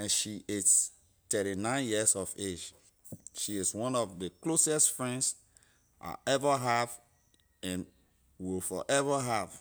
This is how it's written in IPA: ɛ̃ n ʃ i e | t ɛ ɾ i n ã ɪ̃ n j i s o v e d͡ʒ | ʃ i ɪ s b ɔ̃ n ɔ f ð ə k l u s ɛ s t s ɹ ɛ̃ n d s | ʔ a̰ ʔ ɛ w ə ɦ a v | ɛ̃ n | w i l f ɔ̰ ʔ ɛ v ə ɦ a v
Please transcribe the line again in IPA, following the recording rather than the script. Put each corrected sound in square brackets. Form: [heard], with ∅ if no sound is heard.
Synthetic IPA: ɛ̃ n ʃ i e | t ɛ ɾ i n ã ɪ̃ n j i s [ɔ] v e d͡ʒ | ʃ i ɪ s [w] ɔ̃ n ɔ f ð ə k l [o] s ɛ s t [f] ɹ ɛ̃ n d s | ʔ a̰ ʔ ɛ [v] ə ɦ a v | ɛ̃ n | w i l f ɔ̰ ʔ ɛ v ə ɦ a v